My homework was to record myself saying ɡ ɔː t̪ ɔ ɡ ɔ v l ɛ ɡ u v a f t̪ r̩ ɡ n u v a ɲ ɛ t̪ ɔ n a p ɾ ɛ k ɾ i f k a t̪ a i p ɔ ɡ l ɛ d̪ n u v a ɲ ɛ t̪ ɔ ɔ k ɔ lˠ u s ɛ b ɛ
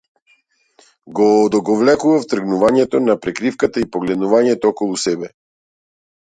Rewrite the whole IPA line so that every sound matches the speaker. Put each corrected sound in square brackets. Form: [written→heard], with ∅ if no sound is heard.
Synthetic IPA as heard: ɡ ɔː [t̪→d̪] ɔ ɡ ɔ v l ɛ [ɡ→k] u v a f t̪ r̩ ɡ n u v a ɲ ɛ t̪ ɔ n a p ɾ ɛ k ɾ i f k a t̪ a i p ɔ ɡ l ɛ d̪ n u v a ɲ ɛ t̪ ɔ ɔ k ɔ lˠ u s ɛ b ɛ